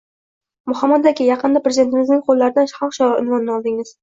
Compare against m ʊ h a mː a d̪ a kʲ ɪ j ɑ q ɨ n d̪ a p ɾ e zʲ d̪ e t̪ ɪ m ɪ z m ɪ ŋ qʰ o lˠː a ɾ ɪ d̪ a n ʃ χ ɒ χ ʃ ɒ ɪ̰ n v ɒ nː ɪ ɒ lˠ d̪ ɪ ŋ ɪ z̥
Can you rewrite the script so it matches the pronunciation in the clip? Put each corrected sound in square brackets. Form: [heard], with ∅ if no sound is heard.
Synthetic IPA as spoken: m ʊ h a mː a d̪ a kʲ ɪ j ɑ q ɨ n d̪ a p ɾ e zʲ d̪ e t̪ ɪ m ɪ z [n] ɪ ŋ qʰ o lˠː a ɾ ɪ d̪ a n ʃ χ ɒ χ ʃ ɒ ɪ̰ n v ɒ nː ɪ ɒ lˠ d̪ ɪ ŋ ɪ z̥